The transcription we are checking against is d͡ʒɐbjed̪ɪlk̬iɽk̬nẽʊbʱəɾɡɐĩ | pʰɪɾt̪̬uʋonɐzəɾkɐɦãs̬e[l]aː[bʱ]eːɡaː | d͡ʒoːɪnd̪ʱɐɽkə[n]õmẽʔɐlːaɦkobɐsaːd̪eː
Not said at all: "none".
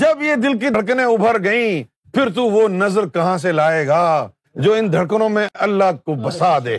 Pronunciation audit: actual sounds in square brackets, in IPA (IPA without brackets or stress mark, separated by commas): l, none, n